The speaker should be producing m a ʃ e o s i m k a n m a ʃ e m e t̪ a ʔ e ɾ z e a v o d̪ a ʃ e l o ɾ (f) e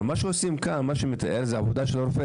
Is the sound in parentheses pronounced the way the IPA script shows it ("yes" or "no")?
yes